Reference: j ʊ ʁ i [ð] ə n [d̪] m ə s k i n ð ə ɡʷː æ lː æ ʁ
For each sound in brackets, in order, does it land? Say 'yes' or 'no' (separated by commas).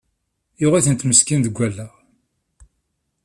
no, no